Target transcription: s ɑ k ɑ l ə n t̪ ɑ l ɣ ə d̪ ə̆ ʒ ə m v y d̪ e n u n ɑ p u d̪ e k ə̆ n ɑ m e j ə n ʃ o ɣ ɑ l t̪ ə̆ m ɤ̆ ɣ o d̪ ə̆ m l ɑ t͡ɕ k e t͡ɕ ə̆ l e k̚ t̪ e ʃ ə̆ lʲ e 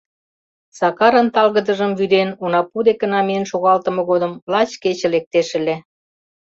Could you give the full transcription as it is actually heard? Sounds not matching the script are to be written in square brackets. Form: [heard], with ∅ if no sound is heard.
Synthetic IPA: s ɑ k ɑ [ɾ] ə n t̪ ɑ l ɣ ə d̪ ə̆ ʒ ə m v y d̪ e n u n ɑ p u d̪ e k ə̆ n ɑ m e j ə n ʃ o ɣ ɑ l t̪ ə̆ m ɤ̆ ɣ o d̪ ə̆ m l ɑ t͡ɕ k e t͡ɕ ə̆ l e k̚ t̪ e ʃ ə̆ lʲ e